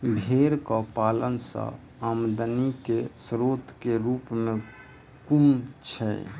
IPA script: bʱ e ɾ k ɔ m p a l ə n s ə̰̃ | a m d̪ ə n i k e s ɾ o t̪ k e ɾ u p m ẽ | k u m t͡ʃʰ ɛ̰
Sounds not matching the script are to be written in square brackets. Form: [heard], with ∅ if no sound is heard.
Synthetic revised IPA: bʱ e ɾ k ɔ [∅] p a l ə n s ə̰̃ | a m d̪ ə n i k e s ɾ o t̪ k e ɾ u p m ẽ | k u m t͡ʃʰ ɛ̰